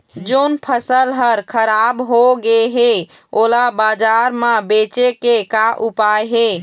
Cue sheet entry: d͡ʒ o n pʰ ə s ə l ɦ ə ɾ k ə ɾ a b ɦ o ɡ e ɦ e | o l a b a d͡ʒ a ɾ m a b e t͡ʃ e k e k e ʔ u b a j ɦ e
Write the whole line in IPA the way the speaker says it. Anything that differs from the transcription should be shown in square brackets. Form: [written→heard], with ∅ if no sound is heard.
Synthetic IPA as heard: d͡ʒ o n pʰ ə s ə l ɦ ə ɾ [k→kʰ] ə ɾ a b ɦ o ɡ e ɦ e | o l a b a d͡ʒ a ɾ m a b e t͡ʃ e k e k [e→a] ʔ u [b→p] a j ɦ e